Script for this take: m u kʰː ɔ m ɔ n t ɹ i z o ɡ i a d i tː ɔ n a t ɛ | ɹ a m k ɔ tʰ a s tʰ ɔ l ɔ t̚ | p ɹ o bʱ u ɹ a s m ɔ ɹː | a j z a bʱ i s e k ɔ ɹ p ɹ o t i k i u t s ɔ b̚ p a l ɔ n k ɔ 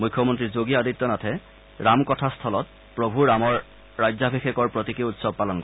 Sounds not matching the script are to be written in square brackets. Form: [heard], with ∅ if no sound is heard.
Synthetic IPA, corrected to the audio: m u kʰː ɔ m ɔ n t ɹ i z o ɡ i a d i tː ɔ n a [tʰ] ɛ | ɹ a m k ɔ tʰ a s tʰ ɔ l ɔ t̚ | p ɹ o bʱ u ɹ a [∅] m ɔ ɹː | a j z a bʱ i [x] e k ɔ ɹ p ɹ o t i k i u t s ɔ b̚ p a l ɔ n k ɔ

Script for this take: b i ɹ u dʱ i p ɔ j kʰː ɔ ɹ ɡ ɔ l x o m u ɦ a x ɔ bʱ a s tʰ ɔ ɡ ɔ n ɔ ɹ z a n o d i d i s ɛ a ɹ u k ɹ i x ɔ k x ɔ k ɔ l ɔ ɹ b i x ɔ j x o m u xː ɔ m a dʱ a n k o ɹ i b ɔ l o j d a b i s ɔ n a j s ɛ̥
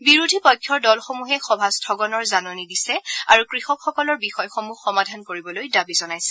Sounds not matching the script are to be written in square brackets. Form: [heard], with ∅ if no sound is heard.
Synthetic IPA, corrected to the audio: b i ɹ u dʱ i p ɔ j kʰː ɔ ɹ [d] ɔ l x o m u ɦ [ɛ] x ɔ bʱ a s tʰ ɔ ɡ ɔ n ɔ ɹ z a n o [n] i d i s ɛ a ɹ u k ɹ i x ɔ k x ɔ k ɔ l ɔ ɹ b i x ɔ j x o m u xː ɔ m a dʱ a n k o ɹ i b ɔ l o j d a b i [z] ɔ n a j s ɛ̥

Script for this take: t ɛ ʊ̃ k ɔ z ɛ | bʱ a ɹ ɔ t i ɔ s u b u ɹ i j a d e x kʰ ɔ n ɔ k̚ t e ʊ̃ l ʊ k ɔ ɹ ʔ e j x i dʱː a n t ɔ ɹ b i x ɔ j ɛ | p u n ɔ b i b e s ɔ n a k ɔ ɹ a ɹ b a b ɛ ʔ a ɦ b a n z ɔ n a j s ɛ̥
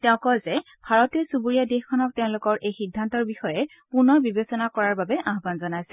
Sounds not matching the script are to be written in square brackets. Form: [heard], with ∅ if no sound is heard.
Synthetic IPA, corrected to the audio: t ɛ ʊ̃ k ɔ z ɛ | bʱ a ɹ ɔ t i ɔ s u b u ɹ i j a d e x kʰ ɔ n ɔ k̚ t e ʊ̃ l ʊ k ɔ ɹ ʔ e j x i dʱː a n t ɔ ɹ b i x ɔ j ɛ | p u n ɔ b i b e s ɔ n a k ɔ ɹ a ɹ b a b ɛ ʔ a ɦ b a n z ɔ n a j s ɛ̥

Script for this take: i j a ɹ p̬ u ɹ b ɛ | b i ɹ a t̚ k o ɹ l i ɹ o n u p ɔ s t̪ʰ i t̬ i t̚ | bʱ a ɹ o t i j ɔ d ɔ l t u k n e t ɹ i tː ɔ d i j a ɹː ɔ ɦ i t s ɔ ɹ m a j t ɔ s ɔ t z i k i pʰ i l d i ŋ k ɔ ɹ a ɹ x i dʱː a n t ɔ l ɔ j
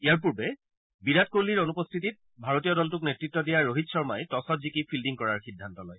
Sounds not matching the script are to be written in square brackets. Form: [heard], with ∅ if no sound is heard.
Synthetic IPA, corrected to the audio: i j a ɹ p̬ u ɹ b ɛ | b i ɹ a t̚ k o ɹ l i ɹ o n u p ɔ s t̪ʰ i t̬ i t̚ | bʱ a ɹ o t i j ɔ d ɔ l t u k n e t ɹ i tː ɔ d i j a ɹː [o] ɦ i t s ɔ ɹ m a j t ɔ s ɔ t z i k i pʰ i l d i ŋ k ɔ ɹ a ɹ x i dʱː a n t ɔ l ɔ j

